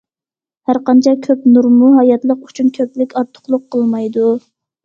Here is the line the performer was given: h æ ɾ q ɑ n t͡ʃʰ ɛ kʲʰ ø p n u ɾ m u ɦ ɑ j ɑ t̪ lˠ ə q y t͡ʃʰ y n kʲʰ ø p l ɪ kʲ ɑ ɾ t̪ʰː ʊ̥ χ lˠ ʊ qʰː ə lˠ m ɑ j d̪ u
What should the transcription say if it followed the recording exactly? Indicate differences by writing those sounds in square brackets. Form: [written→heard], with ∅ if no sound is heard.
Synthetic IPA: h æ ɾ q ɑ n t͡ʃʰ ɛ kʲʰ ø p n u ɾ m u ɦ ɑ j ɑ t̪ lˠ ə q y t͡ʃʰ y n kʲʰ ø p l ɪ kʲ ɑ ɾ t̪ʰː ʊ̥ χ lˠ ʊ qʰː ə lˠ m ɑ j d̪ u